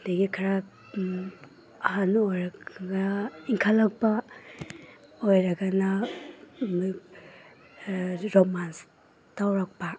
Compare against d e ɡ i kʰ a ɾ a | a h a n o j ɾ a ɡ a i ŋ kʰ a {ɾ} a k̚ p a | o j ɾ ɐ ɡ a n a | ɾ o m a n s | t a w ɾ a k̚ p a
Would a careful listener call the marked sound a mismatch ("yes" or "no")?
yes